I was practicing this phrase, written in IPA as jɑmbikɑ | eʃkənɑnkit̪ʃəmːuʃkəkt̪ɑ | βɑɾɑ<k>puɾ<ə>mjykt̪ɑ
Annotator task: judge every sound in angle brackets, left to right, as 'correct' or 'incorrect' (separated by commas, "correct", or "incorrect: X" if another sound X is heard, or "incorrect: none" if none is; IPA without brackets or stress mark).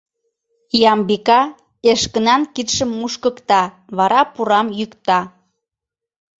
incorrect: none, incorrect: ɑ